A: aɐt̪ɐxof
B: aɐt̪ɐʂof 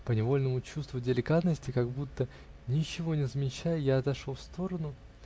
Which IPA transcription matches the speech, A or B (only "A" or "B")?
B